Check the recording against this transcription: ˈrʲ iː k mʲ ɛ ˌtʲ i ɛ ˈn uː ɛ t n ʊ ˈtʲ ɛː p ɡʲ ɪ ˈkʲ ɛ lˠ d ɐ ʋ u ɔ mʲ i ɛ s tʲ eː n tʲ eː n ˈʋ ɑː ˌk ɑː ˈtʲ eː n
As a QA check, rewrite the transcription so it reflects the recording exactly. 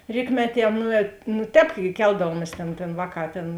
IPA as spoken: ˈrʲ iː k mʲ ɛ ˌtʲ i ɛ ˈn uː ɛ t n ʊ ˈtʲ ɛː p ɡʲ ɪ ˈkʲ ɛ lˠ d ɐ ʋ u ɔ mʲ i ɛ s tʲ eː n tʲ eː n ˈʋ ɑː ˌk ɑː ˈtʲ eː n